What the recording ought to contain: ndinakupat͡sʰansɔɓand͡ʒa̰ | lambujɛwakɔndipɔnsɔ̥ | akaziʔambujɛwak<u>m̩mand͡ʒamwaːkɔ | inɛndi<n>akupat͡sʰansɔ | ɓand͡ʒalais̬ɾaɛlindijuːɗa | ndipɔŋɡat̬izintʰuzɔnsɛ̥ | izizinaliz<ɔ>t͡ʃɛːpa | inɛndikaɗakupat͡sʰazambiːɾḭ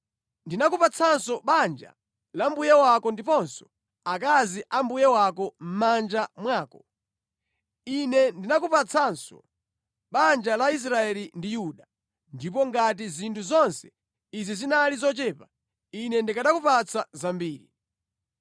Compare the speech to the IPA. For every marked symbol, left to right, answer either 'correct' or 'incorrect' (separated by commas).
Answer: incorrect, correct, correct